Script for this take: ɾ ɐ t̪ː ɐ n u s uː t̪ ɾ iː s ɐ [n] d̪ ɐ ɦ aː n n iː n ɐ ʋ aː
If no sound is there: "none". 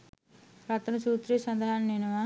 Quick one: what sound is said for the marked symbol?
n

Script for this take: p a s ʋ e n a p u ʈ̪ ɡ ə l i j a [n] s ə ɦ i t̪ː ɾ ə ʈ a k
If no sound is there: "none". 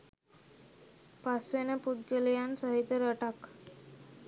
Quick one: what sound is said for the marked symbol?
n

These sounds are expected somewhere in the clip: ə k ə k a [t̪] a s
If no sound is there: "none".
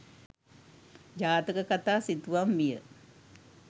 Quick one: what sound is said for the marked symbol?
t̪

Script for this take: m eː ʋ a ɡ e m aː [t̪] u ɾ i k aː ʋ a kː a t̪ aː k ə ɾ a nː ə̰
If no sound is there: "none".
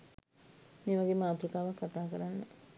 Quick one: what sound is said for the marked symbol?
t̪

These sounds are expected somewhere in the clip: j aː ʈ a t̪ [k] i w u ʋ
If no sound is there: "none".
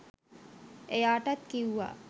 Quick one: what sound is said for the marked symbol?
k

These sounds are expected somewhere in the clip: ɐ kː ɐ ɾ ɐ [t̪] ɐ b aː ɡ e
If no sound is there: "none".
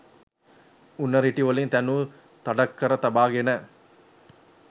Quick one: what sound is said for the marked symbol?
t̪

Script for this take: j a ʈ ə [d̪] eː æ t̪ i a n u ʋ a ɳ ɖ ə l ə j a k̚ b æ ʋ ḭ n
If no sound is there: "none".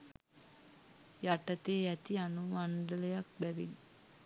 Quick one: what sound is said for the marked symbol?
t̪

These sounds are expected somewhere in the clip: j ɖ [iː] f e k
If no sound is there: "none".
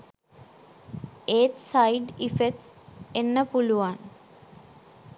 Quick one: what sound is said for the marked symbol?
i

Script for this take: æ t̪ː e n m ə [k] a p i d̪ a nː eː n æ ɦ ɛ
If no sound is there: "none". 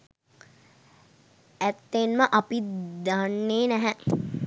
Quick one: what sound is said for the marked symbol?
ʔ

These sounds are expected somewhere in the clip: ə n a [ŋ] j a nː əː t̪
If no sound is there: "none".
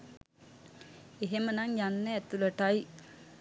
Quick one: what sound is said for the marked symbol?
ŋ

